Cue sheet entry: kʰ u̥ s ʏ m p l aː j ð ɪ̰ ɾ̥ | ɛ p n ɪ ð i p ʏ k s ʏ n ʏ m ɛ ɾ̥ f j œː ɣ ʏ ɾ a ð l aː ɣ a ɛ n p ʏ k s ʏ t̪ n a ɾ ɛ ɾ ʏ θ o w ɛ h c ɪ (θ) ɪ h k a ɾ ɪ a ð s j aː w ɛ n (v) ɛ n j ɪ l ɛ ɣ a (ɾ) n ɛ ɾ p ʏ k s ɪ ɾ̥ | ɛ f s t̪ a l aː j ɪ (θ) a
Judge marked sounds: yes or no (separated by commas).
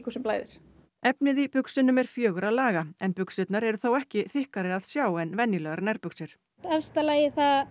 yes, yes, yes, yes